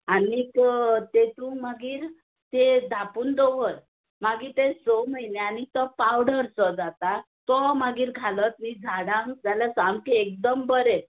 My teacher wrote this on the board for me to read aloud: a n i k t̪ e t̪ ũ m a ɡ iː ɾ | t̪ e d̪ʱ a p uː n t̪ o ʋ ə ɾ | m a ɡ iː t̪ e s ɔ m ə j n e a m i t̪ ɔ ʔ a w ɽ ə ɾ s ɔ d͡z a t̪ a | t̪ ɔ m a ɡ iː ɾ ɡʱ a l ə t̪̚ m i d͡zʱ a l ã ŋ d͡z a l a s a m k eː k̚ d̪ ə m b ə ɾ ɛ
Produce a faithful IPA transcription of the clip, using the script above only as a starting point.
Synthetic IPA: a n i k t̪ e t̪ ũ m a ɡ iː ɾ | t̪ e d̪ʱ a p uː n d̪ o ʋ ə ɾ | m a ɡ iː t̪ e s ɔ m ə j n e a n i t̪ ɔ p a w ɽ ə ɾ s ɔ d͡z a t̪ a | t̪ ɔ m a ɡ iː ɾ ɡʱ a l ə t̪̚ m i d͡zʱ a ɽ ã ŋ d͡z a l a s a m k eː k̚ d̪ ə m b ə ɾ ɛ